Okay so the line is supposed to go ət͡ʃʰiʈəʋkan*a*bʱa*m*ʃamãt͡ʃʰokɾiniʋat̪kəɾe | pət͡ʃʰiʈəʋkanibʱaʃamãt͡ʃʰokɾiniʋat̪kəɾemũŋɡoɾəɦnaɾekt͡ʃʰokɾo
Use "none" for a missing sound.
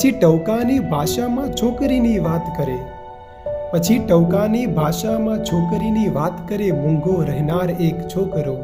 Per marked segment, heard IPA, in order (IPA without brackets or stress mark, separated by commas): i, none